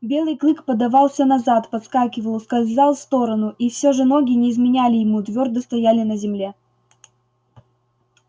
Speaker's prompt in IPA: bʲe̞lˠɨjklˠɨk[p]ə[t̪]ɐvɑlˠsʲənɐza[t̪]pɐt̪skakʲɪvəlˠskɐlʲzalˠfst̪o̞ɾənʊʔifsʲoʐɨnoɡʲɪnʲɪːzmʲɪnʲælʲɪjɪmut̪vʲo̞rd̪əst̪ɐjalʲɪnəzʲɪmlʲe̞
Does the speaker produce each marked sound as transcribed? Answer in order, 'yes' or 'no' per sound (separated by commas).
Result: yes, no, yes